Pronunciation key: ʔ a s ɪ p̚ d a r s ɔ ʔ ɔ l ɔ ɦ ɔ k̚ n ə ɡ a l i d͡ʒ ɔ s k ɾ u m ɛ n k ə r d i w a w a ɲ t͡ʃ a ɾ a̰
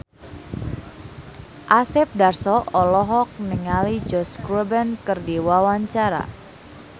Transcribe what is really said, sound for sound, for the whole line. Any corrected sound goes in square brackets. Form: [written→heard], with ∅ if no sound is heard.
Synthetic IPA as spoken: ʔ a s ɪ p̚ d a r s ɔ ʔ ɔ l ɔ ɦ ɔ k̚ n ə [ɡ→ŋ] a l i d͡ʒ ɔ s k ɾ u [m→b] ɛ n k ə r d i w a w a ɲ t͡ʃ a ɾ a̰